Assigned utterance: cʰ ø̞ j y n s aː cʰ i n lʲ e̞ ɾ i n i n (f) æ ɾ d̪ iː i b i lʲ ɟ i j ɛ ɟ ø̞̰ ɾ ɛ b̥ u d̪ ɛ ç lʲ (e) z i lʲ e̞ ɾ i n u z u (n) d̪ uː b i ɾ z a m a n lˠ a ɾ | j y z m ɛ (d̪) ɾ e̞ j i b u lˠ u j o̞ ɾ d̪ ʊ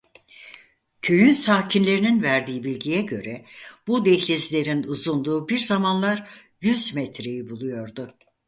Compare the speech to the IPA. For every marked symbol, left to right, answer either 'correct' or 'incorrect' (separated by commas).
incorrect, correct, correct, incorrect